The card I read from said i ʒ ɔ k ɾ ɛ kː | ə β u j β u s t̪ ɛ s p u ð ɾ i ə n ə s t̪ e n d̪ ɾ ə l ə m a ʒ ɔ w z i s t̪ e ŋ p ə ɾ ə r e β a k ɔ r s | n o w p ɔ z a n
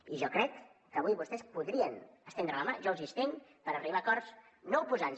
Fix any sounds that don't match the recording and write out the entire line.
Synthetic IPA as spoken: i ʒ ɔ k ɾ ɛ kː | ə β u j β u s t̪ ɛ s p u ð ɾ i ə n ə s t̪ e n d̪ ɾ ə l ə m a ʒ ɔ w z i s t̪ e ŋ p ə ɾ ə r i β a k ɔ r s | n o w p u z a n